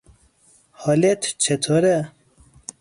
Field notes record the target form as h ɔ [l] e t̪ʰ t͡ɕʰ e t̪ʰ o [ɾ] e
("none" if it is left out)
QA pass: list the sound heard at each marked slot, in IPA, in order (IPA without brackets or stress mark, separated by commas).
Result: l, ɾ